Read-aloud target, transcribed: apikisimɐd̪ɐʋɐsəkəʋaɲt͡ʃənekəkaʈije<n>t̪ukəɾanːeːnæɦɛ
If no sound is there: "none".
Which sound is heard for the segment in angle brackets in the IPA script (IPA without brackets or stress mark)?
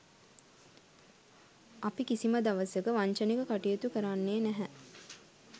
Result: none